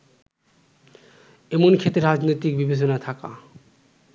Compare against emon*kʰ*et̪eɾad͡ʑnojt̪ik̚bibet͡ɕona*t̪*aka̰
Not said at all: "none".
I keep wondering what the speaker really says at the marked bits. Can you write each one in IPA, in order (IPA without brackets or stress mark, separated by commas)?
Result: kʰ, t̪ʰ